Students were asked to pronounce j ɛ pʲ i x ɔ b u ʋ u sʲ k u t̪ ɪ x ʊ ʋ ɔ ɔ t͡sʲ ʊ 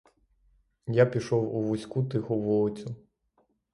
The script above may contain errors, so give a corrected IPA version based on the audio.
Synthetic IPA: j a pʲ i ʃ ɔ w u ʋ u sʲ k u t̪ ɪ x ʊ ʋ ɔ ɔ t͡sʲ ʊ